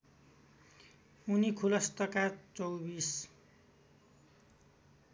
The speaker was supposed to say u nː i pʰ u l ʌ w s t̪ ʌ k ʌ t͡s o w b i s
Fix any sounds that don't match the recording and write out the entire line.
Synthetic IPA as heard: u n i kʰ u l ʌ s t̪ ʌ k a t͡s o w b i s